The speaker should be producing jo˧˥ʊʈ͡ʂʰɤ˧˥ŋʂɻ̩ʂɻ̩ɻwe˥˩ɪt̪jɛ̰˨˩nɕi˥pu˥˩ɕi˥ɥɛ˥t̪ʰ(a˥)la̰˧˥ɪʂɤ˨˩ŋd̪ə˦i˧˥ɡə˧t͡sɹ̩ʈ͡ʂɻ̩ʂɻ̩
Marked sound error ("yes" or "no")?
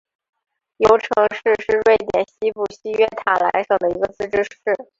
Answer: yes